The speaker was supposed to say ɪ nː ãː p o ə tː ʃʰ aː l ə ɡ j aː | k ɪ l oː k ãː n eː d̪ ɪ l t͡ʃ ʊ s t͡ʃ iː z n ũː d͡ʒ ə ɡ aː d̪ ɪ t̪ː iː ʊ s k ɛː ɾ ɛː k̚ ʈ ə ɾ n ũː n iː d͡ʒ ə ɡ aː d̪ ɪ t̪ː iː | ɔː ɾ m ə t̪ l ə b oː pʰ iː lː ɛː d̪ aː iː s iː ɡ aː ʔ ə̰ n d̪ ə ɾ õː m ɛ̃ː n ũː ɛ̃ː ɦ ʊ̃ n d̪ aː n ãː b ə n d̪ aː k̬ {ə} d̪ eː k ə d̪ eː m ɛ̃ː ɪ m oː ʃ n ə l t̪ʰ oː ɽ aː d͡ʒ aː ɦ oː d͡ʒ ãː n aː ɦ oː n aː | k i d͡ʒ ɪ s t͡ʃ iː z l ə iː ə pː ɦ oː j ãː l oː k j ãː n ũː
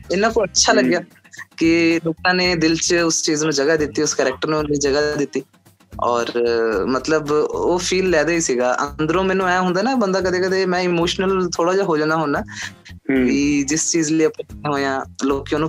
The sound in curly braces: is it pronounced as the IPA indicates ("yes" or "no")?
yes